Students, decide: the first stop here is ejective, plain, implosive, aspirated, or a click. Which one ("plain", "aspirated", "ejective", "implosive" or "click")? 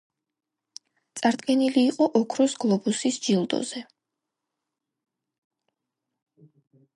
plain